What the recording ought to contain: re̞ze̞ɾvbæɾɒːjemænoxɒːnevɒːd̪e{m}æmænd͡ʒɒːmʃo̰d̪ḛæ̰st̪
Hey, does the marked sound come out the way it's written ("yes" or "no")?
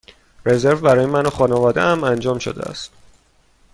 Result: no